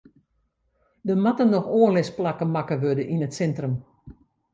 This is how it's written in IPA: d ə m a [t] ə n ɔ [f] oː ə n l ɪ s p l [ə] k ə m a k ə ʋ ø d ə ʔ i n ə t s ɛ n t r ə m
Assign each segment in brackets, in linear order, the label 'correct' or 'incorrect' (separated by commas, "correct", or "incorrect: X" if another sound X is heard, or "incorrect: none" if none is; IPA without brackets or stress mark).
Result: correct, incorrect: x, incorrect: a